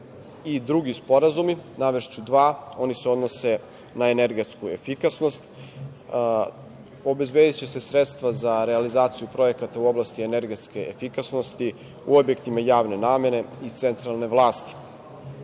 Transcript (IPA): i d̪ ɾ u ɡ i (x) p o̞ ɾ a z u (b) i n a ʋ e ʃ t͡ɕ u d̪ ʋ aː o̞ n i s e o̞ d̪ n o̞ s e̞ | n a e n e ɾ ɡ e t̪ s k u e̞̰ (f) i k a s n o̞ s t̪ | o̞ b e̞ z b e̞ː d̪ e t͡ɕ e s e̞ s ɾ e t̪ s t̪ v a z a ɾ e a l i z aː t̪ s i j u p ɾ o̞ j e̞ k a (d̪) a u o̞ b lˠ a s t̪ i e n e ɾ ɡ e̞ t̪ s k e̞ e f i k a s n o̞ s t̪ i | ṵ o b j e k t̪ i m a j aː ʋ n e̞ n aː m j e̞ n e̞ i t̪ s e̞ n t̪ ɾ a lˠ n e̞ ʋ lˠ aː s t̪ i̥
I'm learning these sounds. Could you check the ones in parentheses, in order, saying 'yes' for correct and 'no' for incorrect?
no, no, yes, no

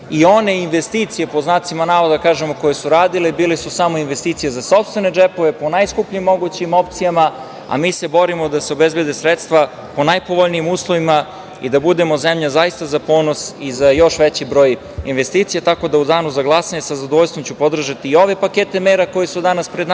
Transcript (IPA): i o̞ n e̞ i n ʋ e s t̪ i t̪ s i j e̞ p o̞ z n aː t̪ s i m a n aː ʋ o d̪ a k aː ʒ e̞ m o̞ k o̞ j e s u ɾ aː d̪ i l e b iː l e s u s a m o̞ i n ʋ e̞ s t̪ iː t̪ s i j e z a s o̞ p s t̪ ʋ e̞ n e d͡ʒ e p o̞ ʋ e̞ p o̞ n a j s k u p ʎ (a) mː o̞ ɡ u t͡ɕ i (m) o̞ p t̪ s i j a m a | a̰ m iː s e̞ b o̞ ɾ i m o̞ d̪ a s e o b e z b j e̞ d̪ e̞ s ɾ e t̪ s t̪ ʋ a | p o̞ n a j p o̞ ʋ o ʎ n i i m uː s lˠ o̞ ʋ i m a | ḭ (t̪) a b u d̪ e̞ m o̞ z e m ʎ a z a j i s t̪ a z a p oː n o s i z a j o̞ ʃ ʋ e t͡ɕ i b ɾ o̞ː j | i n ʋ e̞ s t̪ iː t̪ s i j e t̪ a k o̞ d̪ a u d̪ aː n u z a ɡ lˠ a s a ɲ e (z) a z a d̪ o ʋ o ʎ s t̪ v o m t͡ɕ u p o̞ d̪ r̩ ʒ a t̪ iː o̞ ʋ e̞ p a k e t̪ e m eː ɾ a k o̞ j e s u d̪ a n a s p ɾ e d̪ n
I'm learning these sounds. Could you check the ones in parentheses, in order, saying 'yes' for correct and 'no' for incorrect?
no, yes, no, no

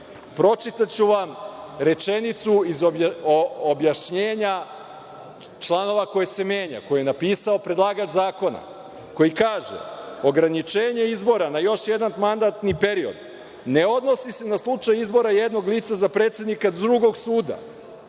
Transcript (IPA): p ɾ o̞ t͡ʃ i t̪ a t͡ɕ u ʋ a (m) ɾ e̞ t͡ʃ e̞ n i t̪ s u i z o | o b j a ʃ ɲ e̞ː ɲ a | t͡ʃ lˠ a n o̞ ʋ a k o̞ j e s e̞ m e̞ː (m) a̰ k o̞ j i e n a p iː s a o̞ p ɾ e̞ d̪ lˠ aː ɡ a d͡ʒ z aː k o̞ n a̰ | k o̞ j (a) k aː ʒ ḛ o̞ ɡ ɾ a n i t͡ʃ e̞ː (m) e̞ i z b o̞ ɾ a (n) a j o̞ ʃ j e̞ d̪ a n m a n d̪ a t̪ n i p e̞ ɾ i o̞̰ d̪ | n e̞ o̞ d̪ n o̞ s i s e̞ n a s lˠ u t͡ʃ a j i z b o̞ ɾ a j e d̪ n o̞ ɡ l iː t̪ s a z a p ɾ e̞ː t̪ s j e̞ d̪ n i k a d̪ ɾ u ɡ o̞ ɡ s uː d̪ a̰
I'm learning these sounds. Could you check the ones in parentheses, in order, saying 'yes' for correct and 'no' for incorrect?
yes, no, no, no, yes

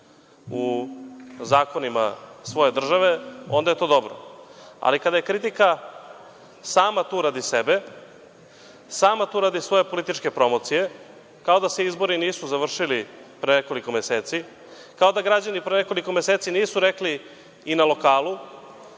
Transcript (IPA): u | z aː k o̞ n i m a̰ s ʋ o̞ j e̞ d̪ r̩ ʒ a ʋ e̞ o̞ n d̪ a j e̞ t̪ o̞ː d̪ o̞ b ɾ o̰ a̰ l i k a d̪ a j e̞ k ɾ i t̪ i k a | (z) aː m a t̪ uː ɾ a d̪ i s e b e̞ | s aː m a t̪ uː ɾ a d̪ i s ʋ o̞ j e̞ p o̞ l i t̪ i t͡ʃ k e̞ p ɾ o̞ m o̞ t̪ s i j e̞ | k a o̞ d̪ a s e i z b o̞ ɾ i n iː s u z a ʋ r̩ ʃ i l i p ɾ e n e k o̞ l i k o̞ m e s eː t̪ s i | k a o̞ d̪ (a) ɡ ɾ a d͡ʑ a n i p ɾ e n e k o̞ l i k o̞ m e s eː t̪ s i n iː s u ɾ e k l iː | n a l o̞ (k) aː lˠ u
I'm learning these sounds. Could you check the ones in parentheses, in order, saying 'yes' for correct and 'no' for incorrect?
no, yes, yes

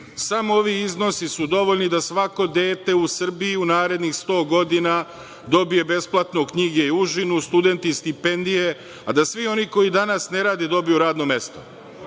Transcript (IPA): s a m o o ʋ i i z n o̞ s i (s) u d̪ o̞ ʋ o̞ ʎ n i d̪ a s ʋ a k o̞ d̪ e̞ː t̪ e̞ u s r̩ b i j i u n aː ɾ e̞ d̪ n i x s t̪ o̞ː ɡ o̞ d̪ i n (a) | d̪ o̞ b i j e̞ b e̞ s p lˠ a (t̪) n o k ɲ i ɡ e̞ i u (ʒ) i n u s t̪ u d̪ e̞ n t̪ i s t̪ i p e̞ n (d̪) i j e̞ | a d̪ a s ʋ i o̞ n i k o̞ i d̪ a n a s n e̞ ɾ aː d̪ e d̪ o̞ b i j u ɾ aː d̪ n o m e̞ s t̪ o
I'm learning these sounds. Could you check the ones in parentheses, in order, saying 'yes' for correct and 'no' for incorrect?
yes, yes, yes, yes, yes

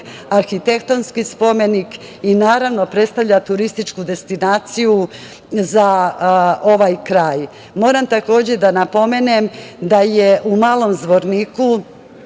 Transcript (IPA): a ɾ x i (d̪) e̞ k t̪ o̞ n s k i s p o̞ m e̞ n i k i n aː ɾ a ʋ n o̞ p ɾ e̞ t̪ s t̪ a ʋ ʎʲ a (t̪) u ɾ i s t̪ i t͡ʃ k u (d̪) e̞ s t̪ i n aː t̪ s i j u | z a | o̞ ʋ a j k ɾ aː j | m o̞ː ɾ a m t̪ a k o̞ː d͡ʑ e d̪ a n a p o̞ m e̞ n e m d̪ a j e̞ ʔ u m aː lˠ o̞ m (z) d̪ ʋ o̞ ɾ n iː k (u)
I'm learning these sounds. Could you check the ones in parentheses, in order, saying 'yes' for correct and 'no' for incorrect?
no, yes, yes, yes, yes

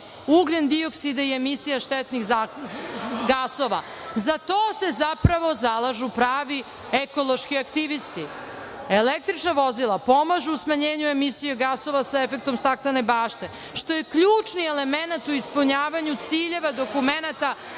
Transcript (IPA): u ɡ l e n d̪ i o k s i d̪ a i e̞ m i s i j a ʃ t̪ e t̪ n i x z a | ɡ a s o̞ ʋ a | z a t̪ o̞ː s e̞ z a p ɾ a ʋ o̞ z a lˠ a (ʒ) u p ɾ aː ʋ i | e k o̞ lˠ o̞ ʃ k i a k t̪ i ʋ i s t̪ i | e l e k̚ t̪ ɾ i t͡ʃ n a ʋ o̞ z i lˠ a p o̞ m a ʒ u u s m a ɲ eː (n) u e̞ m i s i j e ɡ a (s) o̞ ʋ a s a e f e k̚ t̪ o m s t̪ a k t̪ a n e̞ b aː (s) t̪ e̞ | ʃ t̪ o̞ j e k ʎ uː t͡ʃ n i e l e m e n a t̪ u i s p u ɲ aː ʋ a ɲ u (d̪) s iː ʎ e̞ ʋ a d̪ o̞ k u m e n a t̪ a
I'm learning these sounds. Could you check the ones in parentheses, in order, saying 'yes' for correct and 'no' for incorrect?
yes, no, yes, no, no

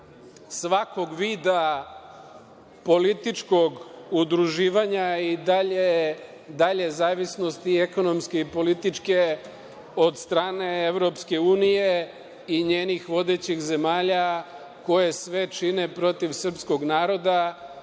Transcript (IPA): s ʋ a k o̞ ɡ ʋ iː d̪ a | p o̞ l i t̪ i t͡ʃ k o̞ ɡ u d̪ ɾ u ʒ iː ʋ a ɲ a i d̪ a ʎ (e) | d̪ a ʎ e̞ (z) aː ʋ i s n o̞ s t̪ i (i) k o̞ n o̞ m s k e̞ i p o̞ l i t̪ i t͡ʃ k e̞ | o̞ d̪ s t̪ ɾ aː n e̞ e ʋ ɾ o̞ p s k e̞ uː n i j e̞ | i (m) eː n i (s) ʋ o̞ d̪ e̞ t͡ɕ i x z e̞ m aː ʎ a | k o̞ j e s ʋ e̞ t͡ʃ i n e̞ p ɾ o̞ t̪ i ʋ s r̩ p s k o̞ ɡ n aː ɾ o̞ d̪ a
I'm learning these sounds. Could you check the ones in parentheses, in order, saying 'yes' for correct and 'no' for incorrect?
yes, yes, no, no, no

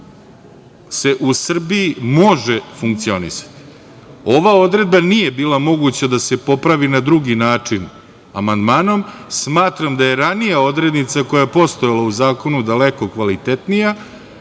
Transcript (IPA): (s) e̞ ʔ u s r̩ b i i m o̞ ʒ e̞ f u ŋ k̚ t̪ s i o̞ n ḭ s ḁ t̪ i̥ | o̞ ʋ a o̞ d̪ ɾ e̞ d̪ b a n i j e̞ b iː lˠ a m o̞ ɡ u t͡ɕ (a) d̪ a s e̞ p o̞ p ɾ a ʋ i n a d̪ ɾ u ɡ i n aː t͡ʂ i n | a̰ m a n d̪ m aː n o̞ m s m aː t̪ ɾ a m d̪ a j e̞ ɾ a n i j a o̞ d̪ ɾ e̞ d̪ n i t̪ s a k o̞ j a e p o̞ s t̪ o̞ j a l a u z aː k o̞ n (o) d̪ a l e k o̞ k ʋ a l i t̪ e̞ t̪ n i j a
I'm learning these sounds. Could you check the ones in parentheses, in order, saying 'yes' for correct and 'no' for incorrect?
yes, yes, no

